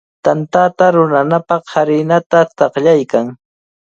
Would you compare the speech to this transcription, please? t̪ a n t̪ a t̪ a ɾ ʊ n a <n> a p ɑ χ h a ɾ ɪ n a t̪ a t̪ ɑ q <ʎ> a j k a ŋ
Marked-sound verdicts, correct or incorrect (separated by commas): correct, correct